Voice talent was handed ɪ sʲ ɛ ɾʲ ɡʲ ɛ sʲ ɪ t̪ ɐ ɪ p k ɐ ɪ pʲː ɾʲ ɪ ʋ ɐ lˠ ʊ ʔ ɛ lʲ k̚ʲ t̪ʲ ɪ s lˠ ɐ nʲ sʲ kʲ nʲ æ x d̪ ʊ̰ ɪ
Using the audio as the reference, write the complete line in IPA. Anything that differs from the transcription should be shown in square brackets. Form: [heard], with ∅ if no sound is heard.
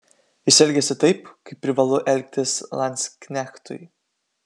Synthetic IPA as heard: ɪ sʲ ɛ [lʲ] ɡʲ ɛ sʲ ɪ t̪ ɐ ɪ p k ɐ ɪ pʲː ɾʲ ɪ ʋ ɐ lˠ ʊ ʔ ɛ lʲ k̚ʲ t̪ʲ ɪ s lˠ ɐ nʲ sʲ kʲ nʲ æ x [t̪] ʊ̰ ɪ